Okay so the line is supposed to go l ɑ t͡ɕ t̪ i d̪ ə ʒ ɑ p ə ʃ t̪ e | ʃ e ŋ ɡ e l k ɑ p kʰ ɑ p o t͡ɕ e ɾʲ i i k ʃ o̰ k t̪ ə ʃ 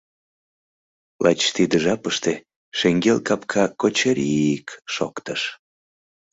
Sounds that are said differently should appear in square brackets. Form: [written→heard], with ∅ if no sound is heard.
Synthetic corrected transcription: l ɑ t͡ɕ t̪ i d̪ ə ʒ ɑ p ə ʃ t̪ e | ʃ e ŋ ɡ e l k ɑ p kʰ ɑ [p→k] o t͡ɕ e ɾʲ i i k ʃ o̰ k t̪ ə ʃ

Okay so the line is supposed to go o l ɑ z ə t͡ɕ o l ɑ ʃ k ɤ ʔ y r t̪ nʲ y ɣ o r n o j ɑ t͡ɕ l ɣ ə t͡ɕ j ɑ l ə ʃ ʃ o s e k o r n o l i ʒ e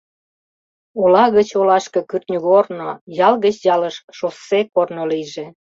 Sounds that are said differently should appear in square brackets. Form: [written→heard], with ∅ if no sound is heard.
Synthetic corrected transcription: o l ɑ [z→ɣ] ə t͡ɕ o l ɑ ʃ k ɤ [ʔ→k] y r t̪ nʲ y ɣ o r n o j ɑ [t͡ɕ→∅] l ɣ ə t͡ɕ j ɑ l ə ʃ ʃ o s e k o r n o l i ʒ e

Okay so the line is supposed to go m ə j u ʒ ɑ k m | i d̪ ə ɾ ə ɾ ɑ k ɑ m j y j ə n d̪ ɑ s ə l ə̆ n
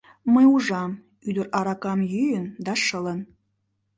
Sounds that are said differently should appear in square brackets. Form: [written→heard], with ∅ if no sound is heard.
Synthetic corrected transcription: m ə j u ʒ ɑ [k→∅] m | [i→y] d̪ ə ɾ [ə→ɑ] ɾ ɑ k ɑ m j y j ə n d̪ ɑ [s→ʃ] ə l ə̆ n

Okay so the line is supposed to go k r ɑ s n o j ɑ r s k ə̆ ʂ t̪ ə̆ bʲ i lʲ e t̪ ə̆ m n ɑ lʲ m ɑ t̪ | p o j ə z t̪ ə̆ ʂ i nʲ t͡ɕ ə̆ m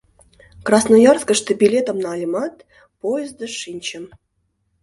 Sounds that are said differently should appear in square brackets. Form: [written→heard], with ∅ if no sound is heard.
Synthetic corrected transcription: k r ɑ s n o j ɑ r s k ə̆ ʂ t̪ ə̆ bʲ i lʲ e t̪ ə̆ m n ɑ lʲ m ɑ t̪ | p o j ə z [t̪→d̪] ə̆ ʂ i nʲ t͡ɕ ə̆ m

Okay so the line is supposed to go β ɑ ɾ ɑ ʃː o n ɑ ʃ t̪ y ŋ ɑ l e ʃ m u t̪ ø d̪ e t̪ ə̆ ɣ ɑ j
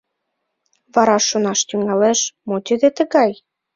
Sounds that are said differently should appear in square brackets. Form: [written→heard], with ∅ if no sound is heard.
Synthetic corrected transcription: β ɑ ɾ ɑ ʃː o n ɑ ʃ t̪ y ŋ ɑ l e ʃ m [u→o] t̪ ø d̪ e t̪ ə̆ ɣ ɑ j

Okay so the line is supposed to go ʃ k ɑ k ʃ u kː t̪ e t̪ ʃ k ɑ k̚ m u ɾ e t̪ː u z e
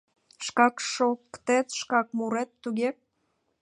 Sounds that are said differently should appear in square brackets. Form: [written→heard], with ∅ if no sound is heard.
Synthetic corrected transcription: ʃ k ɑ k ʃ [u→o] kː t̪ e t̪ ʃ k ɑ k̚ m u ɾ e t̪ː u [z→ɣ] e

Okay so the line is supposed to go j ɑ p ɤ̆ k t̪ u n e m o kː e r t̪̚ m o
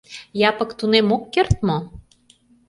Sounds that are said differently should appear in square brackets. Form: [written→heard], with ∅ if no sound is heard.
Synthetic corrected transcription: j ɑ p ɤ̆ k t̪ u n e m o kː e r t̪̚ m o

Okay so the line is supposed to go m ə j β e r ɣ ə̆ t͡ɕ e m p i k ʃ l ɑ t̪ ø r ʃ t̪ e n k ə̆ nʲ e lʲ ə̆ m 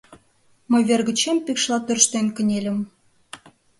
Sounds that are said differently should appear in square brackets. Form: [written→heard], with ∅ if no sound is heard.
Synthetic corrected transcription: m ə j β e r ɣ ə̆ t͡ɕ e m p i k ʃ l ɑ t̪ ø r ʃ t̪ e n k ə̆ nʲ e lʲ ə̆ m

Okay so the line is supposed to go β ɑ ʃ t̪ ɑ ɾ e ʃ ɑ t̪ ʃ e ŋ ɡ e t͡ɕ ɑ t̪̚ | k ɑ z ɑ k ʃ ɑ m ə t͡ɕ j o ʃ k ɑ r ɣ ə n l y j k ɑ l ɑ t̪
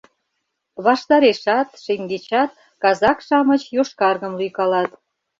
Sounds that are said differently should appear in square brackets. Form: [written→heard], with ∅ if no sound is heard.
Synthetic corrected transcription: β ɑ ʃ t̪ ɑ ɾ e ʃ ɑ t̪ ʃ e ŋ ɡ e t͡ɕ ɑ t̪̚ | k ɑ z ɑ k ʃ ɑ m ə t͡ɕ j o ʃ k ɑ r ɣ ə [n→m] l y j k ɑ l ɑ t̪

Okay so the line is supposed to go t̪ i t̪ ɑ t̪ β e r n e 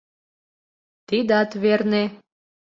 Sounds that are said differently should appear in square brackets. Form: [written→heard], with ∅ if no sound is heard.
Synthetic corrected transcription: t̪ i [t̪→d̪] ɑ t̪ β e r n e

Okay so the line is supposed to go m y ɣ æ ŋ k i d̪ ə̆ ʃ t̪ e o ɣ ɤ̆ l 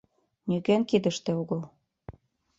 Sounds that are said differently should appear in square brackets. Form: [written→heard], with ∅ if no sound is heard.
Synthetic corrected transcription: [m→n] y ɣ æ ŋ k i d̪ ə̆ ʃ t̪ e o ɣ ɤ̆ l

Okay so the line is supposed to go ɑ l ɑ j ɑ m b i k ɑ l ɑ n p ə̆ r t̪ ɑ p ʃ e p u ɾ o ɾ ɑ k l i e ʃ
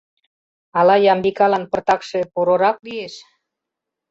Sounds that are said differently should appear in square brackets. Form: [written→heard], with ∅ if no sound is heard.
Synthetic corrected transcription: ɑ l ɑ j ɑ m b i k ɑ l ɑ n p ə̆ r t̪ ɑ [p→k] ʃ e p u ɾ o ɾ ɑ k l i e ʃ

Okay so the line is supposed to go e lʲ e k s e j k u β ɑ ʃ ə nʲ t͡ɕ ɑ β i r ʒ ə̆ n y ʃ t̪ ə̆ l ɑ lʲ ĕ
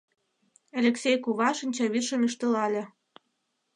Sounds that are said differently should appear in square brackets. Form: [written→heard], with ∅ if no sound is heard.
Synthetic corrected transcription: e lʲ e k s e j k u β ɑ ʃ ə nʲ t͡ɕ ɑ β i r [ʒ→ʃ] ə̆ [n→m] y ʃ t̪ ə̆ l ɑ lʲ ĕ

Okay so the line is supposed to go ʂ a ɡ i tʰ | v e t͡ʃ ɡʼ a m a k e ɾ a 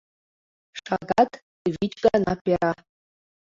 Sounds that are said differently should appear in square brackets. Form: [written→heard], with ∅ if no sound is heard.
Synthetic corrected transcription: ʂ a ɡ [i→a] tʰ | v [e→i] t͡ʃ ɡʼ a [m→n] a [k→p] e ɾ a

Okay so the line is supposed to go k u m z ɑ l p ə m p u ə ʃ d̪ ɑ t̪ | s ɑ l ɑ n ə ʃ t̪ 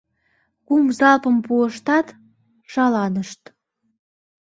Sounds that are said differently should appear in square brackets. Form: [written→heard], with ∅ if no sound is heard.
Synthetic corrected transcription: k u m z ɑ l p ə m p u ə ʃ [d̪→t̪] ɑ t̪ | [s→ʃ] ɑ l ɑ n ə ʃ t̪

